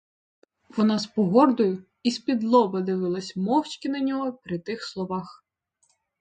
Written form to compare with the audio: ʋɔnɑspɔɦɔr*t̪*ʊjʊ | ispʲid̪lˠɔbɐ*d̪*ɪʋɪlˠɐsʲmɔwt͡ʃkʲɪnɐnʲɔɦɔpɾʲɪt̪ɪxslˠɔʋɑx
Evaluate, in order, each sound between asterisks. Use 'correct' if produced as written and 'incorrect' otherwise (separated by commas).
incorrect, correct